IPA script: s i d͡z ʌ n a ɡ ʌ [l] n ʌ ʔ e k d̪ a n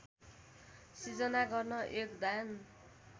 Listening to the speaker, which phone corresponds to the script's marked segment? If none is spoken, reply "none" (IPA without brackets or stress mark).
r